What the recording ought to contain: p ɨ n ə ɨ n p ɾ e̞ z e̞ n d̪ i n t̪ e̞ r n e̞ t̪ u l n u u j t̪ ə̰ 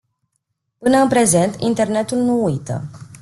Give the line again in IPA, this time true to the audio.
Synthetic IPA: p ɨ n ə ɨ n p ɾ e̞ z e̞ n t̪ i n t̪ e̞ r n e̞ t̪ u l n u u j t̪ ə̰